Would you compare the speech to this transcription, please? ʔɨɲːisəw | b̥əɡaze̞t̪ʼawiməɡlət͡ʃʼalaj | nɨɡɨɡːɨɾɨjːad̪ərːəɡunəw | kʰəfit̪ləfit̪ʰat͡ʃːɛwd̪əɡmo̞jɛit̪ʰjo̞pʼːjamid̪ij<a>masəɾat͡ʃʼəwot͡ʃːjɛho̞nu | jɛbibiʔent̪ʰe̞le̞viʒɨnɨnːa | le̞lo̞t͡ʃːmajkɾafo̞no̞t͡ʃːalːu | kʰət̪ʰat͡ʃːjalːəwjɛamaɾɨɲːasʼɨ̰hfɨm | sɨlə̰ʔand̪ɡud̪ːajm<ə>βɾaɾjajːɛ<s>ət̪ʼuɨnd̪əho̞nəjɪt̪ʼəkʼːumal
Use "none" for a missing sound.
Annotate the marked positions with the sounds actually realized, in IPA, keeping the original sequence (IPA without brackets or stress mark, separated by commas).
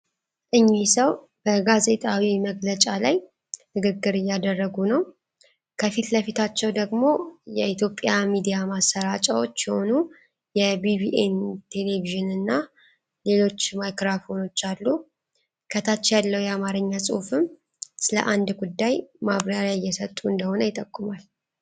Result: a, a, s